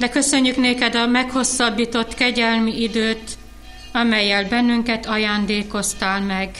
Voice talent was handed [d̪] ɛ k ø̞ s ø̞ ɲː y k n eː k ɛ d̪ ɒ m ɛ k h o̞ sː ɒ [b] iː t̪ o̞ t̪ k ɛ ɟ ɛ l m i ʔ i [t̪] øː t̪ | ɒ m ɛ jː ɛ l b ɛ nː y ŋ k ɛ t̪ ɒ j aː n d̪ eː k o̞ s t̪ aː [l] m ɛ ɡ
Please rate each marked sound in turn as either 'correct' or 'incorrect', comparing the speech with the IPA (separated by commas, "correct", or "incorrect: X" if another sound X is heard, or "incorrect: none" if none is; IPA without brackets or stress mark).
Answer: correct, incorrect: bː, incorrect: d̪, correct